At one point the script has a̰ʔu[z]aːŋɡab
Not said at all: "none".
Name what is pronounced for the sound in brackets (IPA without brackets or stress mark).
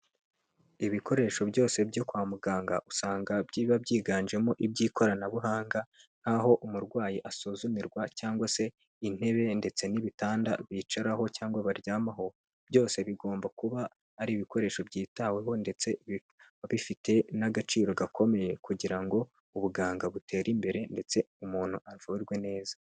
s